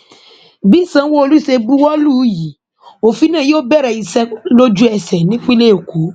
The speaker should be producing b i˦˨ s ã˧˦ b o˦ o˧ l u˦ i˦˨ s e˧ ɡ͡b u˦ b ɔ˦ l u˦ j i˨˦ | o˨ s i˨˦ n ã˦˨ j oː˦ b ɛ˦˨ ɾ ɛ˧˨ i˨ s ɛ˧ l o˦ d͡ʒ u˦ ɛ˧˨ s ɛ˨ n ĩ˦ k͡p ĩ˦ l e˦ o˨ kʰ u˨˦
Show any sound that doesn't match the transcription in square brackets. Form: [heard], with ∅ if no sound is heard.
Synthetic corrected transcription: b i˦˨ s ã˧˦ [w] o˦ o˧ l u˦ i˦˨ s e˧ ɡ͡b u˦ [w] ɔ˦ l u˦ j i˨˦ | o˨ [f] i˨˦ n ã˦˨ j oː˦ b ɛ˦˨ ɾ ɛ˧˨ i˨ s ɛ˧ l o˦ d͡ʒ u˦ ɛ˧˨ s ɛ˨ n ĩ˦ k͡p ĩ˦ l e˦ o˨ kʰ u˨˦